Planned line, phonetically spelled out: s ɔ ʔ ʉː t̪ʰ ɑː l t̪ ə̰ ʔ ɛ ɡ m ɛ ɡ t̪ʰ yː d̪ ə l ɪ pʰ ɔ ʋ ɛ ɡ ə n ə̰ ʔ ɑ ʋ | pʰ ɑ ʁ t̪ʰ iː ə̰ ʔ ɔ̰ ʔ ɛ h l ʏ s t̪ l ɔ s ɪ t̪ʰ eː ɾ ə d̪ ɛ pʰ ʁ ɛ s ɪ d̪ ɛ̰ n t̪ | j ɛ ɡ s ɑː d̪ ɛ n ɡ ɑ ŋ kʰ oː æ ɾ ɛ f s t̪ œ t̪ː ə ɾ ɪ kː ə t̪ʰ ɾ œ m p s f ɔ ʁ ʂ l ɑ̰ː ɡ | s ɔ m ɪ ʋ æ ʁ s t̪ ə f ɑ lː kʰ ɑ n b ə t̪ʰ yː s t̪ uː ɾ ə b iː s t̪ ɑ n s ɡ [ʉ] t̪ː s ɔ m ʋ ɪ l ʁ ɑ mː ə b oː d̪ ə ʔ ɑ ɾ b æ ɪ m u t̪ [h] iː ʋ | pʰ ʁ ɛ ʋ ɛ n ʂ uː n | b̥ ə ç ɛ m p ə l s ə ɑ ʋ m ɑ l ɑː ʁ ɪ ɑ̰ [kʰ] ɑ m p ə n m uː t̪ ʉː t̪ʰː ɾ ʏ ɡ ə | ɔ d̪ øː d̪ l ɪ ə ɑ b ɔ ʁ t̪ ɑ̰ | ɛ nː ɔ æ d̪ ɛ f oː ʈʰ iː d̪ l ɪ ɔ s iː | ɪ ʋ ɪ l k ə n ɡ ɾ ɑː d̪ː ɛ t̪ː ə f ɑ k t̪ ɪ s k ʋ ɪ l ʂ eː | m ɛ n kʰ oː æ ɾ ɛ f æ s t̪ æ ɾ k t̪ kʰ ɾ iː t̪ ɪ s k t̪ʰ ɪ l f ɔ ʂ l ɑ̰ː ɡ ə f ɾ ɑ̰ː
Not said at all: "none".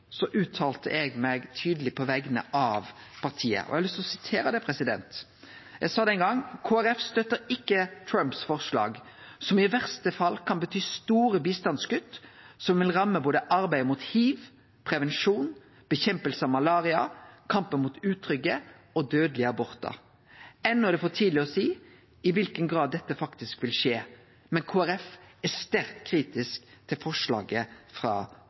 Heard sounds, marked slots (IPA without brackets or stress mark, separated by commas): ʉ, h, kʰ